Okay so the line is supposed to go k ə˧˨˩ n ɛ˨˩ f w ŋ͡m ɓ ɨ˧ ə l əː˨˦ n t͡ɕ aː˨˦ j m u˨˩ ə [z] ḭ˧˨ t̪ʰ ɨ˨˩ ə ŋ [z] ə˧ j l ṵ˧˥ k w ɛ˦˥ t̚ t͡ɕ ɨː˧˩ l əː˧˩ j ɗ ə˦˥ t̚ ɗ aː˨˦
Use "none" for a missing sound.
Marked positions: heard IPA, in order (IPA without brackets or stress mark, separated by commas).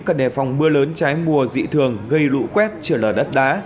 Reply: z, ɣ